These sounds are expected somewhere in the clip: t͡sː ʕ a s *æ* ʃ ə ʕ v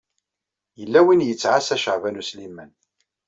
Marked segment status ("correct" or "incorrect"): correct